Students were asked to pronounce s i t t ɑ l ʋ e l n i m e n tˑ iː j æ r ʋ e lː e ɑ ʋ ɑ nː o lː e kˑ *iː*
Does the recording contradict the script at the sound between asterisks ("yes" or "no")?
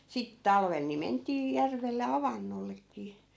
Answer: no